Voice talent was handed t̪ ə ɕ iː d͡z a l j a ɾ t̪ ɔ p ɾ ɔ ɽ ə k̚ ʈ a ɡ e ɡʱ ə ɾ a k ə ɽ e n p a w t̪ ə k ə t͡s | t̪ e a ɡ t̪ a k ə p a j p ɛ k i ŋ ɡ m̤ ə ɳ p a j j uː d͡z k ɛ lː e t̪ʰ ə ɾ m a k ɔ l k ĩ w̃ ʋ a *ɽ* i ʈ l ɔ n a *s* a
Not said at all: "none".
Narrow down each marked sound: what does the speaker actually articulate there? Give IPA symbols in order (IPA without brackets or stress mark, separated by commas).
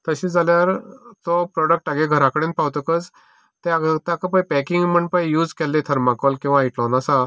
none, s